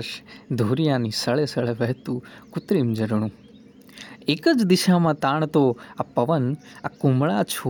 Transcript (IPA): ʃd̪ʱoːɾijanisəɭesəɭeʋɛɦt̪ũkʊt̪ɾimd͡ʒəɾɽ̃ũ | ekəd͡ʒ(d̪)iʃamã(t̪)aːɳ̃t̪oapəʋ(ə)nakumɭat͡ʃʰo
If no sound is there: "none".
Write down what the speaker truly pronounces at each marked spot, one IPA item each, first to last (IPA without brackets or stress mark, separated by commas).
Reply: d̪, t̪, ə